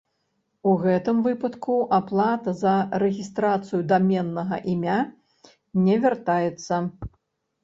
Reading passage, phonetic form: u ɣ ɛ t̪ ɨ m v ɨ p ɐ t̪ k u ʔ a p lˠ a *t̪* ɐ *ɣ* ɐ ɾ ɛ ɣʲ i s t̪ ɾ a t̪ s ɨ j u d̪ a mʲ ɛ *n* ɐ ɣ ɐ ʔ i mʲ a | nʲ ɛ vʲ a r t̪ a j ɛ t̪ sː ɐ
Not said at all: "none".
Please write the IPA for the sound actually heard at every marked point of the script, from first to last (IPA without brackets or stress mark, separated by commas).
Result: t̪, z, nː